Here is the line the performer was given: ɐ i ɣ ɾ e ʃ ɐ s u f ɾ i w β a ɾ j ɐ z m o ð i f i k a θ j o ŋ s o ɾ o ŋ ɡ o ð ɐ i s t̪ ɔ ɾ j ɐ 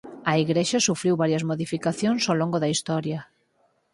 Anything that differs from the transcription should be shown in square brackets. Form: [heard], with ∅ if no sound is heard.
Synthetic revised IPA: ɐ i ɣ ɾ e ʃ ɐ s u f ɾ i w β a ɾ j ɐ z m o ð i f i k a θ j o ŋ s o [l] o ŋ ɡ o ð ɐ i s t̪ ɔ ɾ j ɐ